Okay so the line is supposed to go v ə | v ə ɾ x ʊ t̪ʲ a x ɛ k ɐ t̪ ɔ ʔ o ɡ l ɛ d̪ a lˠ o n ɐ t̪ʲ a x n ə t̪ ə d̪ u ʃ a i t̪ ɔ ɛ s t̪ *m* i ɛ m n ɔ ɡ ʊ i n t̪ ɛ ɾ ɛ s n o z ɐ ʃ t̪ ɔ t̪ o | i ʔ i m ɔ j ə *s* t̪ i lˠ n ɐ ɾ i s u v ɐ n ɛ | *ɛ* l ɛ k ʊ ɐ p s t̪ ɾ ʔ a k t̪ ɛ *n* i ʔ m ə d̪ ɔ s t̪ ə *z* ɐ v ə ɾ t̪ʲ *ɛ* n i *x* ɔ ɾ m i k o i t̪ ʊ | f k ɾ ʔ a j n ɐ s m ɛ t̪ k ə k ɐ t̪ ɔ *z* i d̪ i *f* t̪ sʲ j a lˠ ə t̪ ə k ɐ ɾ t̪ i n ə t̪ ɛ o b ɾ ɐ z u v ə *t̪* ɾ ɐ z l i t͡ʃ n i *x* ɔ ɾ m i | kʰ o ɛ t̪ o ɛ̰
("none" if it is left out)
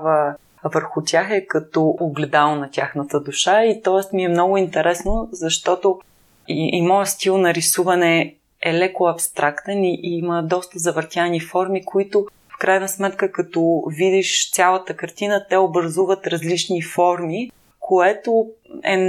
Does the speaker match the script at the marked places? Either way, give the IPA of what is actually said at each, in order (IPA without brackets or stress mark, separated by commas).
m, s, ɛ, n, z, a, f, v, ʃ, t̪, f